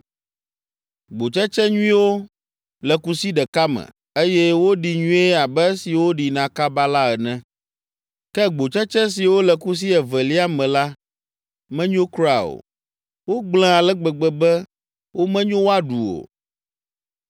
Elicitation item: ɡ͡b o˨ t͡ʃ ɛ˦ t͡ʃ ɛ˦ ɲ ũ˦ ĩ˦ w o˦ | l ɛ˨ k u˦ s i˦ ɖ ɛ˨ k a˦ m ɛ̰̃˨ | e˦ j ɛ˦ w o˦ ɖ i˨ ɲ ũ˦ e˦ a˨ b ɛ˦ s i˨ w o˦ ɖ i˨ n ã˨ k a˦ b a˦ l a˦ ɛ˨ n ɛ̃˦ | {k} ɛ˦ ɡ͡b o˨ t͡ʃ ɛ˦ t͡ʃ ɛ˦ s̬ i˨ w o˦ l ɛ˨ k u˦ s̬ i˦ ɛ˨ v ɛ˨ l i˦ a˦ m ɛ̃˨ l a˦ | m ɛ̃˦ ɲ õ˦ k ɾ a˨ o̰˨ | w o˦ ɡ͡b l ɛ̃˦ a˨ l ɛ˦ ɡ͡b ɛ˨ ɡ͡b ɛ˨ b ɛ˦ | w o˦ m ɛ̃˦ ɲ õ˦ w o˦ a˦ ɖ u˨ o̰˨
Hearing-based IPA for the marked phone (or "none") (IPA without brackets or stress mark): k